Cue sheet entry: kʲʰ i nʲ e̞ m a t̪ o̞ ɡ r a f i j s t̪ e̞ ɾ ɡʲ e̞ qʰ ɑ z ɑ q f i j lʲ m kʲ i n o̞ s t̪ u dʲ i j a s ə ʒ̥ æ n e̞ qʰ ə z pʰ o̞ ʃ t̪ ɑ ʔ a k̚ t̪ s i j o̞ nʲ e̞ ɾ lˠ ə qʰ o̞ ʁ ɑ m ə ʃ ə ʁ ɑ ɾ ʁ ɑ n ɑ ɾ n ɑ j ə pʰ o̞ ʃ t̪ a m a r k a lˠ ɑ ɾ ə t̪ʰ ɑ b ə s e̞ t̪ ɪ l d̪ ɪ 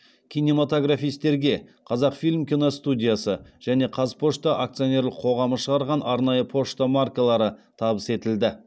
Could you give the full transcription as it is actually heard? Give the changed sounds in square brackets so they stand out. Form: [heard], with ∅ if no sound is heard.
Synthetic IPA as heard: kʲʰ i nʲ e̞ m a t̪ o̞ ɡ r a f i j s t̪ e̞ ɾ ɡʲ e̞ qʰ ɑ z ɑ q f i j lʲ m kʲ i n o̞ s t̪ u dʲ i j a s ə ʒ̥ æ n e̞ qʰ [ɑ] z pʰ o̞ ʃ t̪ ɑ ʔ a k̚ t̪ s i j o̞ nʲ e̞ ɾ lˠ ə qʰ o̞ ʁ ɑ m ə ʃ ə ʁ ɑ ɾ ʁ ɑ n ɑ ɾ n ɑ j ə pʰ o̞ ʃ t̪ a m a r k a lˠ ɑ ɾ ə t̪ʰ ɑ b ə s e̞ t̪ ɪ l d̪ ɪ